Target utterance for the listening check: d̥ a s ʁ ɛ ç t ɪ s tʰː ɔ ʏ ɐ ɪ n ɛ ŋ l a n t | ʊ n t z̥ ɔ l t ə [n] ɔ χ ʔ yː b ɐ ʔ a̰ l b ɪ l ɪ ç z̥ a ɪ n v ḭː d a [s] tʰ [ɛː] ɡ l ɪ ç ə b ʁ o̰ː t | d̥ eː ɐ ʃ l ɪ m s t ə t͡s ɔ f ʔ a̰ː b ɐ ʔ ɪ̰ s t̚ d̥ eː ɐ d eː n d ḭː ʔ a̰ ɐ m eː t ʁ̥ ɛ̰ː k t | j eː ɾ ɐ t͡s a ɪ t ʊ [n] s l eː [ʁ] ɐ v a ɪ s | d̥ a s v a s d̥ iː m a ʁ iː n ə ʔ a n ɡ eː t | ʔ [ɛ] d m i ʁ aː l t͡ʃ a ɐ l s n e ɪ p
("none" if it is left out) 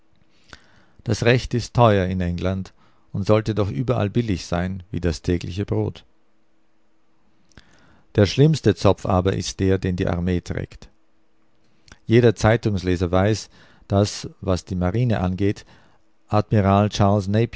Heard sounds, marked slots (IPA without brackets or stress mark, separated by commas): d, s, ɛː, ŋ, z, a